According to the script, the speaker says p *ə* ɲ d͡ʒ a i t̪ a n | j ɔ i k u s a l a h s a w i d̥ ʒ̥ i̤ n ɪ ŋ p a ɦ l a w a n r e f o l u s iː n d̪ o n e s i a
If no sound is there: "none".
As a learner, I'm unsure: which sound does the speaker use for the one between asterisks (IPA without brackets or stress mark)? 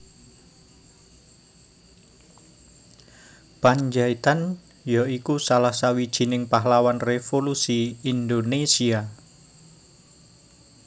a